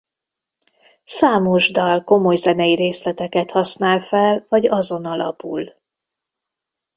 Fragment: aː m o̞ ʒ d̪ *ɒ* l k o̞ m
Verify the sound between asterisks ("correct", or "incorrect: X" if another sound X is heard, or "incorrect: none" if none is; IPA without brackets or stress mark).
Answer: correct